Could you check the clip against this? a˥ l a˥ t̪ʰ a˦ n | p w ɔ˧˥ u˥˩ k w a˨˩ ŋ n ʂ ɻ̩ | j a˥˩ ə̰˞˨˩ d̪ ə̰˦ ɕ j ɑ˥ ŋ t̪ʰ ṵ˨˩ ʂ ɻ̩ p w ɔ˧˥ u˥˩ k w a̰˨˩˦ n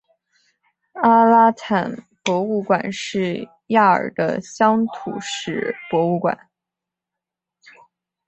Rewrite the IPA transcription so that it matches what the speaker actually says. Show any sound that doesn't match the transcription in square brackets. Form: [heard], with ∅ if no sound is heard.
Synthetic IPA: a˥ l a˥ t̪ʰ [a˨˩] n | p w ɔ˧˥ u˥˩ k w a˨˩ [∅] n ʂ ɻ̩ | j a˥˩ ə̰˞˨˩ d̪ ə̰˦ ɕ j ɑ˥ ŋ t̪ʰ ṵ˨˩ ʂ ɻ̩ p w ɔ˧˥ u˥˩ k w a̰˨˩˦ n